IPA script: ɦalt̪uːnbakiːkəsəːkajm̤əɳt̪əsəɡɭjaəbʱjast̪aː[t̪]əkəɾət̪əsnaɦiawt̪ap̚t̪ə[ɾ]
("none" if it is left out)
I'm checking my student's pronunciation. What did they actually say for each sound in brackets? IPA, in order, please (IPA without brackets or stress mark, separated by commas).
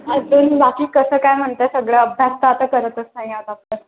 t̪, ɾ